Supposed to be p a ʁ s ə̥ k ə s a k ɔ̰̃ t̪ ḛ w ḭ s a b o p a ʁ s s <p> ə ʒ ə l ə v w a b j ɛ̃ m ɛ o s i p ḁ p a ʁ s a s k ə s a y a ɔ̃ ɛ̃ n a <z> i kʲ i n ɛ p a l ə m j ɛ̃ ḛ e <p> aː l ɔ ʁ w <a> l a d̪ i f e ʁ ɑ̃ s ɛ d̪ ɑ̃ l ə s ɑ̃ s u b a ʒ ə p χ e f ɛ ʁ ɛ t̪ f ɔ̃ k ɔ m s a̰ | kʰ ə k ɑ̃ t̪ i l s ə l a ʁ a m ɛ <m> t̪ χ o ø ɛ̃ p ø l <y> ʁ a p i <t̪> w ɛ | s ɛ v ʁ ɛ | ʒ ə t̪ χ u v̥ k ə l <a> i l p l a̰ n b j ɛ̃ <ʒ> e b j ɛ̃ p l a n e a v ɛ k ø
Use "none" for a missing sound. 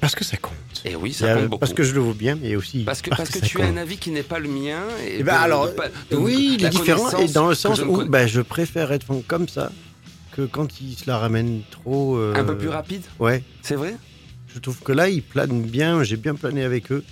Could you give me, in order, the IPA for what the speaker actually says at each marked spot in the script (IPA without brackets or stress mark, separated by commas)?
k, v, b, i, n, y, d̪, a, ʒ